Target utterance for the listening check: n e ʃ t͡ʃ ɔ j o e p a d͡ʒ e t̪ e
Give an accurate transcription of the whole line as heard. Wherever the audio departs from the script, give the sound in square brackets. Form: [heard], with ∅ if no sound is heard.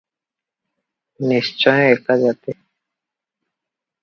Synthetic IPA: n [i] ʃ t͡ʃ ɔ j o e [k] a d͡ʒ [a] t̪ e